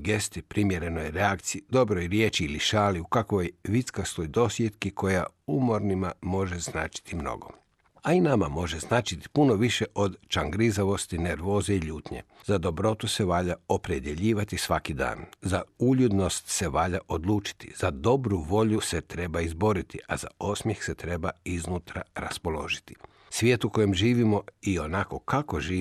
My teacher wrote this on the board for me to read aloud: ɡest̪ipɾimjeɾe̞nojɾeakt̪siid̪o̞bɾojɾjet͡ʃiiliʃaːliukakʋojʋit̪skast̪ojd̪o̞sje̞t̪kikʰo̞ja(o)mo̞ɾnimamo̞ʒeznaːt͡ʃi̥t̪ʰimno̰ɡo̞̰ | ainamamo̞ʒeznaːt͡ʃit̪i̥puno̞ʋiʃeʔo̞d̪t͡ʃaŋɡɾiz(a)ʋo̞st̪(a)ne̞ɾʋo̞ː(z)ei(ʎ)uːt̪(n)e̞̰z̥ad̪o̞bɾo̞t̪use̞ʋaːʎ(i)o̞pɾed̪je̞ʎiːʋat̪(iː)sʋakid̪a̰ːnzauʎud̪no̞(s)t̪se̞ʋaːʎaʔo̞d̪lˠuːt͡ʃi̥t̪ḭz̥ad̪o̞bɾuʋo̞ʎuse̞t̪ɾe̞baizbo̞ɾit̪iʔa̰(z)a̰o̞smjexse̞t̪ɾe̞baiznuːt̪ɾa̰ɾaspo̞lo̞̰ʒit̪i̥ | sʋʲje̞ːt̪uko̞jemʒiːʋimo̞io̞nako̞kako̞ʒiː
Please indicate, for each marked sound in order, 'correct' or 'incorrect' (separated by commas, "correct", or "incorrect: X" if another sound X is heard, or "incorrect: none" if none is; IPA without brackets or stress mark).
incorrect: u, correct, incorrect: i, correct, correct, incorrect: ɲ, incorrect: a, incorrect: i, correct, correct